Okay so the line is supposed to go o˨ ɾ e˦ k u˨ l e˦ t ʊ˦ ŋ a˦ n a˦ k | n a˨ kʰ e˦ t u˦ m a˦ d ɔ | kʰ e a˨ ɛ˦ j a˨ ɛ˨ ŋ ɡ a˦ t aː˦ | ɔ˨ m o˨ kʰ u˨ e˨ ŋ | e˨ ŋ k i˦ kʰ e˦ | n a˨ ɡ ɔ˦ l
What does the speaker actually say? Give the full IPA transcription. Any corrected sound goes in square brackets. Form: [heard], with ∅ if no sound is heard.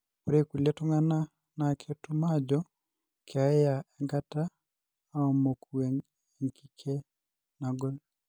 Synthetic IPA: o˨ ɾ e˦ k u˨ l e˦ t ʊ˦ ŋ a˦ n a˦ [∅] | n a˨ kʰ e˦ t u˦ m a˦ [d͡ʒ] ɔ | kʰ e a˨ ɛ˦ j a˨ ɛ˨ ŋ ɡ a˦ t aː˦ | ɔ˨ m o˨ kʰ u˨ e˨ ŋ | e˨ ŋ k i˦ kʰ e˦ | n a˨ ɡ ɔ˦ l